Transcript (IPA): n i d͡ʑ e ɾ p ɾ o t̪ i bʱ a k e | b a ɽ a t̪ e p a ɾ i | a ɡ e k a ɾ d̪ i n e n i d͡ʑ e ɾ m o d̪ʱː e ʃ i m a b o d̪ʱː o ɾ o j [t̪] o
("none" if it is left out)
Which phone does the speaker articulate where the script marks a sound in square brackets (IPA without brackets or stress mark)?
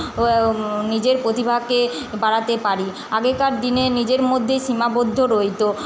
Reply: t̪